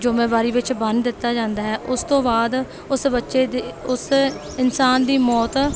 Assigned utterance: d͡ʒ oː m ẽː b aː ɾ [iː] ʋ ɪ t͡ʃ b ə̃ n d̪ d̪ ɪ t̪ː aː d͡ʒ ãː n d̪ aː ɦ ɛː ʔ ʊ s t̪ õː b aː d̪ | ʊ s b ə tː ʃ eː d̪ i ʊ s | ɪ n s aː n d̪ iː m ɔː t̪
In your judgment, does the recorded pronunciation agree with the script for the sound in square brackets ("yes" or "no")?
yes